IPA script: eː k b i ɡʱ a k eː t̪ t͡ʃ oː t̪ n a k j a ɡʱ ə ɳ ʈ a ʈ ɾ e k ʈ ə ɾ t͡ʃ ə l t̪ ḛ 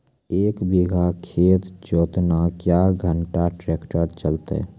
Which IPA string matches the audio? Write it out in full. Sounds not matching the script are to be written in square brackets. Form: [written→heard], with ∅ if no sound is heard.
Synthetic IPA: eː k b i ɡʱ a [k→kʰ] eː t̪ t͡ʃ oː t̪ n a k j a ɡʱ ə ɳ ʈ a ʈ ɾ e k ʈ ə ɾ t͡ʃ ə l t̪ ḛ